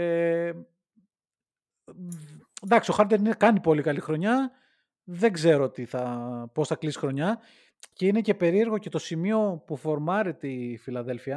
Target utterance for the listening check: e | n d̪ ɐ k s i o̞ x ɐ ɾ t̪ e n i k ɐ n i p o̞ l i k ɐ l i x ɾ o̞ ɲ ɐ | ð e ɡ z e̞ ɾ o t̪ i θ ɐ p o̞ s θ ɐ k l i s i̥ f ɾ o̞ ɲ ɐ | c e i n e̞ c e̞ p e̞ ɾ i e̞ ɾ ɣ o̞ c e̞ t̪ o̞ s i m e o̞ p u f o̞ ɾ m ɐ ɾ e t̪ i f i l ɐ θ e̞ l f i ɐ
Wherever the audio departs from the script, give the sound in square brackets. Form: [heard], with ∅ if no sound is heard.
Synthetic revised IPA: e | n d̪ ɐ k s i o̞ x ɐ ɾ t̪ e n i k ɐ n i p o̞ l i k ɐ l i x ɾ o̞ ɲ ɐ | ð e ɡ z e̞ ɾ o t̪ i θ ɐ p o̞ s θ ɐ k l i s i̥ [x] ɾ o̞ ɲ ɐ | c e i n e̞ c e̞ p e̞ ɾ i e̞ ɾ ɣ o̞ c e̞ t̪ o̞ s i m [i] o̞ p u f o̞ ɾ m ɐ ɾ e t̪ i f i l ɐ [ð] e̞ l f i ɐ